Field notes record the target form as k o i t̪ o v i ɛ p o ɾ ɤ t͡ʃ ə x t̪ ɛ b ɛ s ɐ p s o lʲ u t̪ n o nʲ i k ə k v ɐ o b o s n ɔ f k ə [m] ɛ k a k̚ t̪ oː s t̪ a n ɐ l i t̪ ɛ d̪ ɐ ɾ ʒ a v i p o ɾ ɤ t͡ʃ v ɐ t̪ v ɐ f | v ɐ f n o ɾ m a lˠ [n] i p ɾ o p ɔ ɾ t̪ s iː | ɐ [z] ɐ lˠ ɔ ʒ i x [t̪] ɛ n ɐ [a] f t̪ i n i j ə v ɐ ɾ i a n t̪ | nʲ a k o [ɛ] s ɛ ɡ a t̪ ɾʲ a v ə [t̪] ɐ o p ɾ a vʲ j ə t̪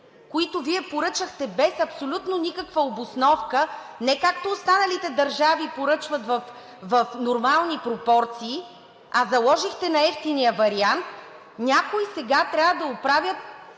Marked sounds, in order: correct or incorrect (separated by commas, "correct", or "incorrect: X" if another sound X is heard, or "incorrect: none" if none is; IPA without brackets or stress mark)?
incorrect: n, correct, correct, correct, incorrect: ɛ, incorrect: i, incorrect: d̪